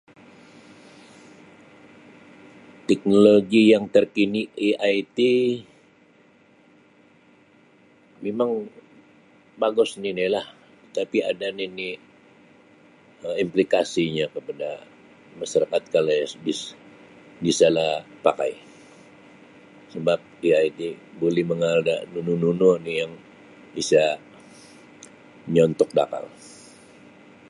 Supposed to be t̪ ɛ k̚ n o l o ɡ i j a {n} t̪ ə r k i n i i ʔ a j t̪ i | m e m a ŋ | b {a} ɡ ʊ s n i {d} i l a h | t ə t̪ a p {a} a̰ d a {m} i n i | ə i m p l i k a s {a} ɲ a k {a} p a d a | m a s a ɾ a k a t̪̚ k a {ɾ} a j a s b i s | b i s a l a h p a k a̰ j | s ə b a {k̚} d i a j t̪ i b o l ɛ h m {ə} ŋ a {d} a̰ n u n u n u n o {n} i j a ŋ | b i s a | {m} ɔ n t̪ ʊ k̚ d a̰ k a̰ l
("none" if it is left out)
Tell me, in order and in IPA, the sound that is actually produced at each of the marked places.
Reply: ŋ, a, n, i, n, i, ə, l, p̚, ə, d, n, ɲ

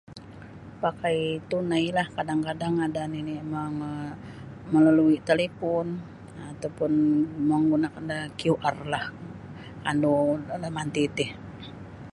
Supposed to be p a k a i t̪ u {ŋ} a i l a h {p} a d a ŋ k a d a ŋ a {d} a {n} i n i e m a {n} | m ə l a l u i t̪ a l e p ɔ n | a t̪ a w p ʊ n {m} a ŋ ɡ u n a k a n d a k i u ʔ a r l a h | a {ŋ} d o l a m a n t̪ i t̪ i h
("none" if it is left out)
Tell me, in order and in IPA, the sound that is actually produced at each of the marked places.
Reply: n, k, d, n, ŋ, m, n

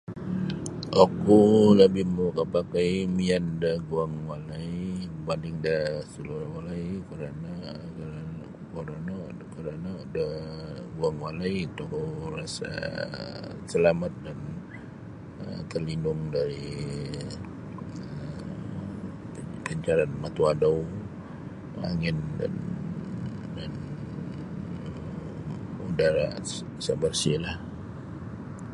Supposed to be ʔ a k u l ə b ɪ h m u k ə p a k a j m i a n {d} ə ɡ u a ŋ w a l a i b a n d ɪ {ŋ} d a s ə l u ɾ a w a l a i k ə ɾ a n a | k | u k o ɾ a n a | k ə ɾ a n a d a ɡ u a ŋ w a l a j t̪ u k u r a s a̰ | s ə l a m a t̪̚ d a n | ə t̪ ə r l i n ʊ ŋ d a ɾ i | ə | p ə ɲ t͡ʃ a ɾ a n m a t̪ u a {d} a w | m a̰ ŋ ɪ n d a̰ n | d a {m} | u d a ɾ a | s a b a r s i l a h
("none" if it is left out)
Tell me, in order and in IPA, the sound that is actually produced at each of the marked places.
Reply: d, ŋ, d, n

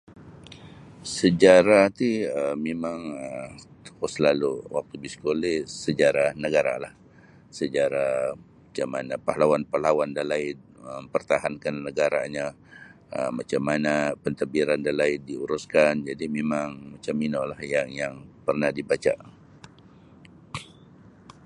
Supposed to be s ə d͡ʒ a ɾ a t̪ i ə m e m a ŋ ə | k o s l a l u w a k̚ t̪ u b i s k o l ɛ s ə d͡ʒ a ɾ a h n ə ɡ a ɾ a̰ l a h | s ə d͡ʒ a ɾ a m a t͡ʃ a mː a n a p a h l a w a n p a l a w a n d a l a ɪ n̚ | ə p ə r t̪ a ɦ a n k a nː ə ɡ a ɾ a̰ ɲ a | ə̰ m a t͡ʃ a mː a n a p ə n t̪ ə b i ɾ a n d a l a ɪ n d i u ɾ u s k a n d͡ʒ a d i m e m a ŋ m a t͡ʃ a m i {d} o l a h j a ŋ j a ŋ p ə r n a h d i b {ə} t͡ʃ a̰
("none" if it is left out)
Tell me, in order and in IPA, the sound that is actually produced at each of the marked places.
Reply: n, a

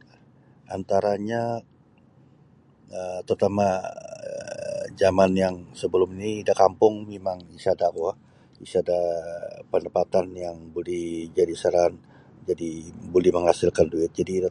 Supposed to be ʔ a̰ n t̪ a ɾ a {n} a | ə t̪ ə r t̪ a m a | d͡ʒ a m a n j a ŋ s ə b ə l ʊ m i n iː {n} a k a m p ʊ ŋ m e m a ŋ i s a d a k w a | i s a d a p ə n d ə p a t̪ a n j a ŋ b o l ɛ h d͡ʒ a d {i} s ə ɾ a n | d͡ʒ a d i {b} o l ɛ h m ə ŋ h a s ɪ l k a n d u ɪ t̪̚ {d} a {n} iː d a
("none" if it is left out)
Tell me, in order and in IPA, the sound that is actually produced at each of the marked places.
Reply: ɲ, d, i, b, d͡ʒ, d

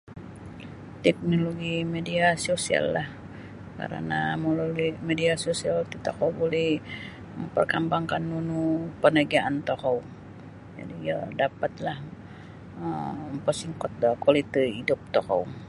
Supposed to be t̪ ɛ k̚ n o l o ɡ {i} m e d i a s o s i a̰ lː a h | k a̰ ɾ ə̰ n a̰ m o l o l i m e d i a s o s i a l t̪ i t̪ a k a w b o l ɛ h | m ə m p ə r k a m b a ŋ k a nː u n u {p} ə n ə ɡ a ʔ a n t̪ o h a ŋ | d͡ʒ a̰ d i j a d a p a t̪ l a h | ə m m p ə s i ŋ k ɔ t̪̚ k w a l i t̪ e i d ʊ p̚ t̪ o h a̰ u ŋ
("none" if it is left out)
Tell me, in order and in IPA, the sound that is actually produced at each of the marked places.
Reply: i, p

